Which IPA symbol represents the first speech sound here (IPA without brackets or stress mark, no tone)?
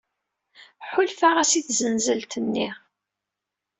ħ